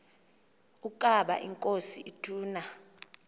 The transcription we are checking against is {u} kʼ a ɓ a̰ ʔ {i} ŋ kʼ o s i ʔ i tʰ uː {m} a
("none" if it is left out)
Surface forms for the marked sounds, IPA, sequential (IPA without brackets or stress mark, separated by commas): u, i, n